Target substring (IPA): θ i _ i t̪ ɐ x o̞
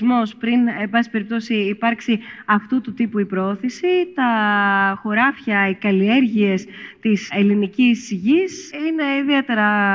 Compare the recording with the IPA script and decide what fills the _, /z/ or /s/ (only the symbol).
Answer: s